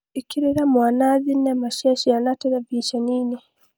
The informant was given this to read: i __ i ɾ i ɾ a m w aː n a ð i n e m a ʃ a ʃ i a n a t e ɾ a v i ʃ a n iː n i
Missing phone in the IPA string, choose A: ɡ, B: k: B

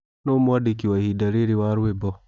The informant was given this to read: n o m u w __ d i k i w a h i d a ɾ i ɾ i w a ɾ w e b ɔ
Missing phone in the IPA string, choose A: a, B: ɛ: A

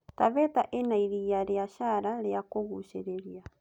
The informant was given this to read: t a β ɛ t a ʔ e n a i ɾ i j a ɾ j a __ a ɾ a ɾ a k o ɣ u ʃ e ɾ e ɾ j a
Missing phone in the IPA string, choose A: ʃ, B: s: A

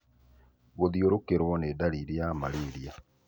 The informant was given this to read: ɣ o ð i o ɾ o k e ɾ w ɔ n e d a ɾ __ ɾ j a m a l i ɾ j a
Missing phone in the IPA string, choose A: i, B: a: A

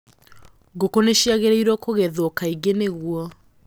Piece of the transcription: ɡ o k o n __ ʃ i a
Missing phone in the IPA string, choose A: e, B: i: A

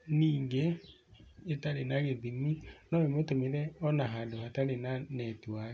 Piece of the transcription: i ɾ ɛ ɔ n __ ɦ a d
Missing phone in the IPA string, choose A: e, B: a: B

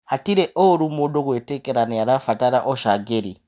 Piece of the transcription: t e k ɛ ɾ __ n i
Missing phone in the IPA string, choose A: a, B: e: A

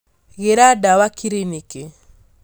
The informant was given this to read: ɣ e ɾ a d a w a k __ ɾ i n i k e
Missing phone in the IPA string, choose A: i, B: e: A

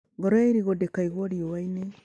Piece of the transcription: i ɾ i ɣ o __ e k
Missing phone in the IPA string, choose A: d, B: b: A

